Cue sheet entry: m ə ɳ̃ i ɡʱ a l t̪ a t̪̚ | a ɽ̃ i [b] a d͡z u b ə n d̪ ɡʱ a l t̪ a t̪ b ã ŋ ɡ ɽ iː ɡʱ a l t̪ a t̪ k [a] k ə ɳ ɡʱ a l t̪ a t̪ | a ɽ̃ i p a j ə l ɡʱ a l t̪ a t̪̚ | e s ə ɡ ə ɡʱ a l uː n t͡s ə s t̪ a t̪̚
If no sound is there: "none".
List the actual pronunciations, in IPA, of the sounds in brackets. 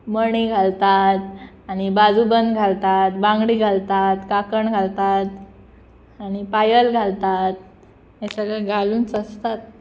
b, a

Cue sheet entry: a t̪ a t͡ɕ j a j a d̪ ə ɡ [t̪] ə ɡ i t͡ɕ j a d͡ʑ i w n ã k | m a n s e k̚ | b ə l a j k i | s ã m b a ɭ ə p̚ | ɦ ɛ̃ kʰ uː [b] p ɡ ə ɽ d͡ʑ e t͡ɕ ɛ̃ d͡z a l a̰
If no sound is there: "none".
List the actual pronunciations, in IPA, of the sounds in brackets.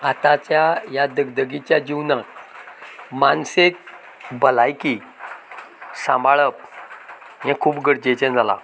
d̪, none

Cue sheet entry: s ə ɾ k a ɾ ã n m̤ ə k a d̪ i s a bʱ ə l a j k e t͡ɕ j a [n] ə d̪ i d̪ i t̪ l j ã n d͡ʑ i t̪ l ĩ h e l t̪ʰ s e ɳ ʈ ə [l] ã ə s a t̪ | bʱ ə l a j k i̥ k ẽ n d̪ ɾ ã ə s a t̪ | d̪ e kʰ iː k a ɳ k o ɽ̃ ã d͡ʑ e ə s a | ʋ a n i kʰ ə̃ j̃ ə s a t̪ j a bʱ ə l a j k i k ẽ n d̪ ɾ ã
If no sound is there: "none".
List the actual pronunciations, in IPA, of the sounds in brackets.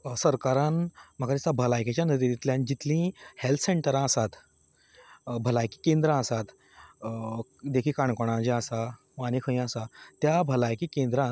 n, ɾ

